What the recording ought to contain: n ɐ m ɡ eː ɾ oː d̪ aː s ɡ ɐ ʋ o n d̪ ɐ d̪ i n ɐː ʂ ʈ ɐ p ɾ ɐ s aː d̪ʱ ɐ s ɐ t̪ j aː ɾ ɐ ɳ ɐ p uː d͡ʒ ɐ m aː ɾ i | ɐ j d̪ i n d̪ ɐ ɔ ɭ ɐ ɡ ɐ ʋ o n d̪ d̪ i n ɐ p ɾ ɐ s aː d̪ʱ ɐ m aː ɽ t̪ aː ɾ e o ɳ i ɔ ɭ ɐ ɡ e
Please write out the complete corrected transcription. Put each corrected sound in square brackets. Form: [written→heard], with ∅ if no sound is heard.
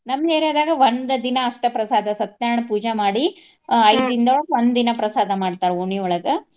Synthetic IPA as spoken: n ɐ m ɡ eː ɾ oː d̪ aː [s→∅] ɡ ɐ ʋ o n d̪ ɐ d̪ i n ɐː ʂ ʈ ɐ p ɾ ɐ s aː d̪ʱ ɐ s ɐ t̪ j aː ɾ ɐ ɳ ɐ p uː d͡ʒ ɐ m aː [ɾ→ɽ] i | ɐ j d̪ i n d̪ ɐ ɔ ɭ ɐ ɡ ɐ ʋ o n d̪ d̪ i n ɐ p ɾ ɐ s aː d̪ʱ ɐ m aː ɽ t̪ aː ɾ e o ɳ i ɔ ɭ ɐ ɡ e